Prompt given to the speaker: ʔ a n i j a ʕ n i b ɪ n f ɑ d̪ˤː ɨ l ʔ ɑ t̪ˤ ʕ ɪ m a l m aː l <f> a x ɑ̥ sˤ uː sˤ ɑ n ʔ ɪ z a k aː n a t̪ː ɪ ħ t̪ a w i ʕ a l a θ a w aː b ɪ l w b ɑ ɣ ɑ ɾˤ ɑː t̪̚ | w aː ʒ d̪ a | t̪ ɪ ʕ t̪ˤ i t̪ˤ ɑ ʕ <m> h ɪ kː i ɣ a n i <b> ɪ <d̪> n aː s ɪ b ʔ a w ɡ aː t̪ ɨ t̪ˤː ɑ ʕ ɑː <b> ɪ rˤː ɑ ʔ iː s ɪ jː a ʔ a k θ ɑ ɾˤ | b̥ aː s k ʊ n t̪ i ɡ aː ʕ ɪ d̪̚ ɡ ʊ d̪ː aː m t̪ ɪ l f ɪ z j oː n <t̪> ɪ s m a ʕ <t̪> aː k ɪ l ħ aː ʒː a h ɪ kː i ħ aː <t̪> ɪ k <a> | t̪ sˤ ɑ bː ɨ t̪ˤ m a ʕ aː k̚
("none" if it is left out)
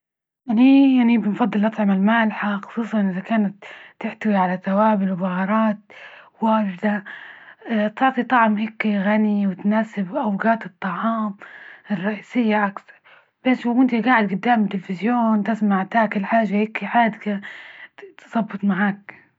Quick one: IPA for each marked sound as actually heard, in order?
ħ, m, w, t̪, m, t̪, t̪, d̪, a

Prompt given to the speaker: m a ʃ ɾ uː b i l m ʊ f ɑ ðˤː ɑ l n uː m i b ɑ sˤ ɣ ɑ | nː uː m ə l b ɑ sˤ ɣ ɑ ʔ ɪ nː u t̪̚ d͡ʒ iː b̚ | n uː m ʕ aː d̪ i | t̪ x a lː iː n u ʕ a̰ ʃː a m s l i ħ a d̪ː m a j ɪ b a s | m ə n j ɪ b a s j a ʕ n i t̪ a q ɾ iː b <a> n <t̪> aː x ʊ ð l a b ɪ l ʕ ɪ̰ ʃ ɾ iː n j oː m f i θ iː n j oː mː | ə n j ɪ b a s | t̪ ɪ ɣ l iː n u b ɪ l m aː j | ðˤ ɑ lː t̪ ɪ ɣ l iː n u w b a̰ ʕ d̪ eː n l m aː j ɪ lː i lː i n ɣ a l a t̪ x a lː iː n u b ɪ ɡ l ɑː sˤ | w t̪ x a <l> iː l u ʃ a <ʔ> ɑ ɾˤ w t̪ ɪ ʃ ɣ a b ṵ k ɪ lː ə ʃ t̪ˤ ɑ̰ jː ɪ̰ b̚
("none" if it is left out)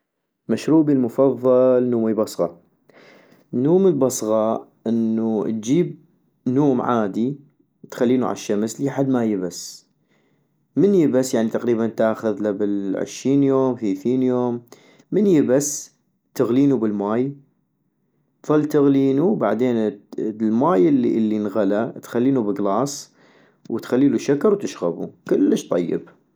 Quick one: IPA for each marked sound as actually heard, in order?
a, t̪, lː, k

